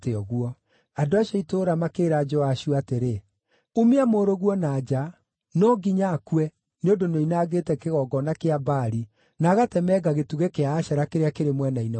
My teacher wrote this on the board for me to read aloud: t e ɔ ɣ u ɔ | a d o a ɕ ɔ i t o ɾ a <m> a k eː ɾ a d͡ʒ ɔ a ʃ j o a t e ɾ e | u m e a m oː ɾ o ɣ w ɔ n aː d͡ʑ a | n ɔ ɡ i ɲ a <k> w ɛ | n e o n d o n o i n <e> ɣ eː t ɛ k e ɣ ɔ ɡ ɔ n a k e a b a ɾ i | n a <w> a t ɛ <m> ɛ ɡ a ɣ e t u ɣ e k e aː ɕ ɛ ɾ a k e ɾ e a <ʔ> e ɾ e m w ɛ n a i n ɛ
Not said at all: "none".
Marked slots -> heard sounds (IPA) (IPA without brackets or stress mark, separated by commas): m, k, a, ɣ, m, k